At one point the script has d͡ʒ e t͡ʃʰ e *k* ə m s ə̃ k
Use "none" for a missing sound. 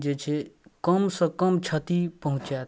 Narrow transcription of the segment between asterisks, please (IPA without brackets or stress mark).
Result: k